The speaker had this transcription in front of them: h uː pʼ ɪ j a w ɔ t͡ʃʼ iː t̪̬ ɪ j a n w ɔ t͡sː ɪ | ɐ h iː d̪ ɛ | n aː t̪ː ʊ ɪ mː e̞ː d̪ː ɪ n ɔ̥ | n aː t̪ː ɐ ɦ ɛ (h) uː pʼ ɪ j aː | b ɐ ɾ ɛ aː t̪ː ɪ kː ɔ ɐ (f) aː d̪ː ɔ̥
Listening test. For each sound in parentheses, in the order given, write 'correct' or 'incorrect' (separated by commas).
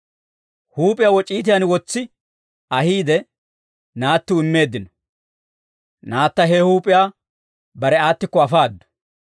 correct, correct